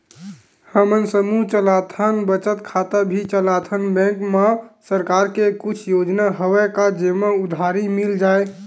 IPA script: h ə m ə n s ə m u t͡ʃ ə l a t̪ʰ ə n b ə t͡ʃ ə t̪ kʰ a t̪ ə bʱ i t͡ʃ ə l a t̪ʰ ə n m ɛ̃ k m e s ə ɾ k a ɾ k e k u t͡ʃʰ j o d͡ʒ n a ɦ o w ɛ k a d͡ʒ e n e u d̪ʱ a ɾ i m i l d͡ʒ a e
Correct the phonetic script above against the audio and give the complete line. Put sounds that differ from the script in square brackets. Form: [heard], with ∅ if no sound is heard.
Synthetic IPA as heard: h ə m ə n s ə m u t͡ʃ ə l a t̪ʰ ə n b ə t͡ʃ ə t̪ kʰ a t̪ ə bʱ i t͡ʃ ə l a t̪ʰ ə n [b] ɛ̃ k m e s ə ɾ k a ɾ k e k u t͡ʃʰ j o d͡ʒ n a ɦ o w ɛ k a d͡ʒ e [m] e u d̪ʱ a ɾ i m i l d͡ʒ a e